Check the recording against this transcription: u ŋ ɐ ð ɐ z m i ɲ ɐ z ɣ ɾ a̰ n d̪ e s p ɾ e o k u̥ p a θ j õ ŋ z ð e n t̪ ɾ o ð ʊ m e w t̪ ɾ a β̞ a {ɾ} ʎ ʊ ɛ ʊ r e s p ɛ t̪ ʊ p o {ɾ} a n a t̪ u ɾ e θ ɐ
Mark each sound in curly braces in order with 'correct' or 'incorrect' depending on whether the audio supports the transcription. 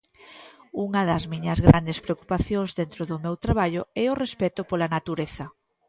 incorrect: none, incorrect: l

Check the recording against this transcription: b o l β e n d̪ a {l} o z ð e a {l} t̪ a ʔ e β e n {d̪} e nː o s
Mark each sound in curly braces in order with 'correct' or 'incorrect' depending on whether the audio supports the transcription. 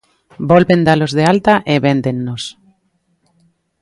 correct, correct, correct

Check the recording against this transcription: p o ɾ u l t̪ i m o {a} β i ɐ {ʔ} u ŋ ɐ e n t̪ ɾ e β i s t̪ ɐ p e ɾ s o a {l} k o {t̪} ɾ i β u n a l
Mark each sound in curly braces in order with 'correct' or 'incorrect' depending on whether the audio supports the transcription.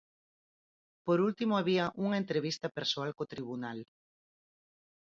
correct, correct, correct, correct

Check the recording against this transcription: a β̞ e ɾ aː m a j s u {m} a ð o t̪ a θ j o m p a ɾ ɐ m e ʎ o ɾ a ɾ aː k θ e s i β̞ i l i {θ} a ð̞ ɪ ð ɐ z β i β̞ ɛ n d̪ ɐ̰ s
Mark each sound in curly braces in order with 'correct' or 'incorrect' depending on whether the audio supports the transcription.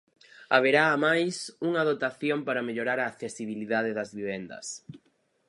incorrect: ŋ, incorrect: ð

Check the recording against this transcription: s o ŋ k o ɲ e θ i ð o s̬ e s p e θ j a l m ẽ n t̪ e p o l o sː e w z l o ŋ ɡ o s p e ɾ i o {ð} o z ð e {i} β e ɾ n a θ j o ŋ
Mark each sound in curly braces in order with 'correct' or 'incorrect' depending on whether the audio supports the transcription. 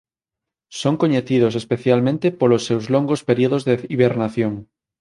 correct, correct

